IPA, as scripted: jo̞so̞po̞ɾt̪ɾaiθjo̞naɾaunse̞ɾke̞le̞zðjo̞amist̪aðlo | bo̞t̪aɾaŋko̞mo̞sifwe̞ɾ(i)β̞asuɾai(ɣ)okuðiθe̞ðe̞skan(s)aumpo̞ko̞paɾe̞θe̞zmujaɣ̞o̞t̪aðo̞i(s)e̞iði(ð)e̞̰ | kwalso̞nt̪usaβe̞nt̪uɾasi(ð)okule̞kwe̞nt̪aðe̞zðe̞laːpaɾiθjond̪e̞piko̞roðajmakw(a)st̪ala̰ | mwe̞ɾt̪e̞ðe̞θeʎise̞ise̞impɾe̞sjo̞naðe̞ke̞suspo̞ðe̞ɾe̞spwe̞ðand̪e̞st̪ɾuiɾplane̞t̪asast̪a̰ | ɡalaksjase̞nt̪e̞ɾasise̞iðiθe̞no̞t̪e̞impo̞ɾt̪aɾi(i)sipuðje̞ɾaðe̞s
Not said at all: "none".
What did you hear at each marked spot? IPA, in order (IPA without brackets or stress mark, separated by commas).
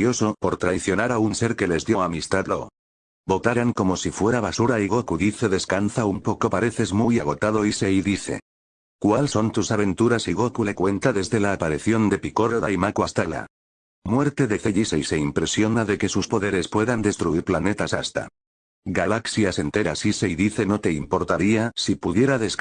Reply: a, ɣ, θ, s, θ, ɣ, a, a